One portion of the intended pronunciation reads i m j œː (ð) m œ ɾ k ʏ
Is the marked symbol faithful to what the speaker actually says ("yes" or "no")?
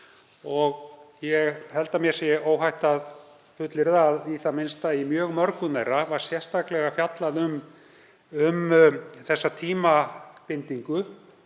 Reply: no